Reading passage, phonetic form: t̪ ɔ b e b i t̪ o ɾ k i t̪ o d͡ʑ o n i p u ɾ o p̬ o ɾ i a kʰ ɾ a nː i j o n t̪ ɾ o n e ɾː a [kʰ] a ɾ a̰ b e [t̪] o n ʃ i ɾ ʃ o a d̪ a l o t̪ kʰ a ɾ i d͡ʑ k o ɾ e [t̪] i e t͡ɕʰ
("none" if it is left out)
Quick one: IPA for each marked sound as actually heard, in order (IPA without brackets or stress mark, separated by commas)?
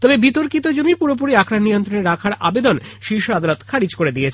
kʰ, d̪, d̪